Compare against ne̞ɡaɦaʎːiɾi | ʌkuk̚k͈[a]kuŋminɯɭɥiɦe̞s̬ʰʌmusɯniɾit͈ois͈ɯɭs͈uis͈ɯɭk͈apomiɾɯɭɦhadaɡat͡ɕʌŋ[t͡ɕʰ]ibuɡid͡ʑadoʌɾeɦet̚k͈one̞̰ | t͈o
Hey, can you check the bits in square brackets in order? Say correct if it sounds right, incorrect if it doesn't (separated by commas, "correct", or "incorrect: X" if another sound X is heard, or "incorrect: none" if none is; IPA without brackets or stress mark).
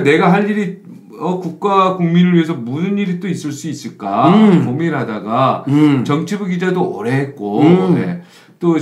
correct, correct